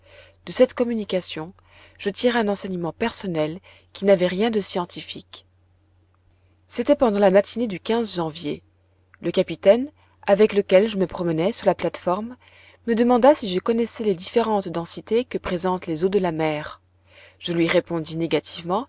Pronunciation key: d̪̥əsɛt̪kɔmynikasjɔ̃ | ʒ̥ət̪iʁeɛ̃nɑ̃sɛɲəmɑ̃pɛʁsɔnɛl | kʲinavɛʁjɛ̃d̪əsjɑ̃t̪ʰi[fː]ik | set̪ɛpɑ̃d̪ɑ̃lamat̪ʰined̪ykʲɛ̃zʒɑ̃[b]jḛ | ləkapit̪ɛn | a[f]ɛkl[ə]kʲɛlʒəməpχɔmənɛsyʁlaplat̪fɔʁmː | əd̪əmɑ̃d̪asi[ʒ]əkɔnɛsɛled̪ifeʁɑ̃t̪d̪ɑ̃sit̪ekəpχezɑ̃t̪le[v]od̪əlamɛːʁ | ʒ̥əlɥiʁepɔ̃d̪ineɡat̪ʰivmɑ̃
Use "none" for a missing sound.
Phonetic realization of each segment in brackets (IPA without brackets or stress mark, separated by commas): f, v, v, ə, ʒ, z